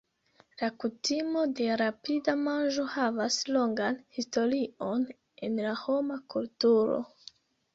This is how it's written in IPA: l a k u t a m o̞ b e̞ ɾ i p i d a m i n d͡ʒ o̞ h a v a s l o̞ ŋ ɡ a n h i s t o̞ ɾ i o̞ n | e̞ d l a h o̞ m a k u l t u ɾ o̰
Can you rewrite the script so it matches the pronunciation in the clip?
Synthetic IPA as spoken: l a k u t i m o̞ d e̞ ɾ a p i d a m a n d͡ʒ o̞ h a v a s l o̞ ŋ ɡ a n h i s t o̞ ɾ i o̞ n | e̞ n l a h o̞ m a k u l t u ɾ o̰